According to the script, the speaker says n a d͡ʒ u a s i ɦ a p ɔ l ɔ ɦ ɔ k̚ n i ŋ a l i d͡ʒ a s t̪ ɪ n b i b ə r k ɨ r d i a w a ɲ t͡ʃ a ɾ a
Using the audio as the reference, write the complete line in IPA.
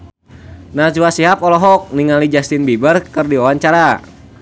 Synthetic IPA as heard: n a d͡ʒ u a s i ɦ a p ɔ l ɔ ɦ ɔ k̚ n i ŋ a l i d͡ʒ a s t̪ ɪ n b i b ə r k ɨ r d i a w a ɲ t͡ʃ a ɾ a